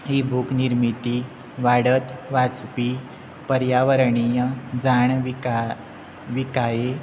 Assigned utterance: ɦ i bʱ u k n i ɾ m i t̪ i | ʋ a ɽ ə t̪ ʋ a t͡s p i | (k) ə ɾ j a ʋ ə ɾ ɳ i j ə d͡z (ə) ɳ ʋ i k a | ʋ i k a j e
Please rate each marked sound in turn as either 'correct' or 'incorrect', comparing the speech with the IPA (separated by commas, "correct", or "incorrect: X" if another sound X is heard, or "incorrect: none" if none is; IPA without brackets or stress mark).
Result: incorrect: p, incorrect: a